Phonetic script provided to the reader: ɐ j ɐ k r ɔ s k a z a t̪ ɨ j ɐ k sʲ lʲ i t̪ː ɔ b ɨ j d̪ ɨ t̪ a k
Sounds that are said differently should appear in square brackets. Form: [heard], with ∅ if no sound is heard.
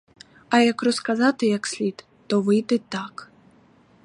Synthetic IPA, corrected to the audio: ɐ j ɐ k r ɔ s k a z a t̪ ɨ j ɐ k sʲ lʲ i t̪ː ɔ [v] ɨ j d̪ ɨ t̪ a k